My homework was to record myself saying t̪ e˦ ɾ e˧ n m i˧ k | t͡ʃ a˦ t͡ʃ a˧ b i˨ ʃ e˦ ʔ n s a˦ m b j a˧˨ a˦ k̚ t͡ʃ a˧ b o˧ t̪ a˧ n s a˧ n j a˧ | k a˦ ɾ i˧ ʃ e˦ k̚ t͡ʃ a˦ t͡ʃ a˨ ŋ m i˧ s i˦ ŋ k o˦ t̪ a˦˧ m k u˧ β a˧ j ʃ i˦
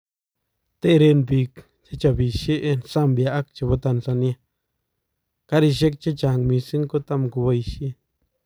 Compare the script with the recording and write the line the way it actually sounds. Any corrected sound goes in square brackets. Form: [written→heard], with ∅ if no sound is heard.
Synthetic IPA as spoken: t̪ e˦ ɾ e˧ n [m→b] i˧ k | t͡ʃ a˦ t͡ʃ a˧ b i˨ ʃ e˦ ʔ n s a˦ m b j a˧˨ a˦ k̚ t͡ʃ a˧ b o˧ t̪ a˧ n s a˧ n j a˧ | k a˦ ɾ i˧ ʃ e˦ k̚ t͡ʃ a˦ t͡ʃ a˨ ŋ m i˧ s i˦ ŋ k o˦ t̪ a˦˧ m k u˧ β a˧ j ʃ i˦